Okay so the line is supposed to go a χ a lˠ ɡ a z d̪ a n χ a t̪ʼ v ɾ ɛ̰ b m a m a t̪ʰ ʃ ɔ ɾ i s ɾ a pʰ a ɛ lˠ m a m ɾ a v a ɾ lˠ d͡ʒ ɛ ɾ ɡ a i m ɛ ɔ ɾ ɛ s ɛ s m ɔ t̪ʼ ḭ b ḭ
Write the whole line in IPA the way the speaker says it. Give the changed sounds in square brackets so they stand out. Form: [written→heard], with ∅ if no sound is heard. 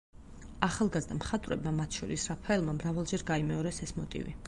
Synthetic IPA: a χ a lˠ ɡ a z d̪ a [n→m] χ a t̪ʼ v ɾ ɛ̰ b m a m a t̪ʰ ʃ ɔ ɾ i s ɾ a pʰ a ɛ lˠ m a m ɾ a v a [ɾ→∅] lˠ d͡ʒ ɛ ɾ ɡ a i m ɛ ɔ ɾ ɛ s ɛ s m ɔ t̪ʼ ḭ [b→v] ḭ